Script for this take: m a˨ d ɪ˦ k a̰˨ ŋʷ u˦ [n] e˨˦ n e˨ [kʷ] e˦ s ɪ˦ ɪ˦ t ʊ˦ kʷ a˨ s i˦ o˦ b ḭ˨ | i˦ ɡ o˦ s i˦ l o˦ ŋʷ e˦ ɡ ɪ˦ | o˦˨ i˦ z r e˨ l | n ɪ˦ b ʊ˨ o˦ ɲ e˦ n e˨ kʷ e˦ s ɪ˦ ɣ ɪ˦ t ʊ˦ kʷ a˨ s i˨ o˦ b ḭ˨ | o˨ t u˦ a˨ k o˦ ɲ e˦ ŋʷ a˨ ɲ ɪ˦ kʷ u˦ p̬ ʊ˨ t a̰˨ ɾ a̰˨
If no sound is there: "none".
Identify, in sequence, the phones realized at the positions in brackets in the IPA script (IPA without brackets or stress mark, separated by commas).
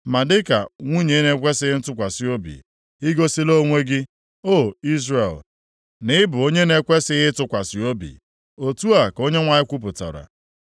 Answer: ɲ, kʷ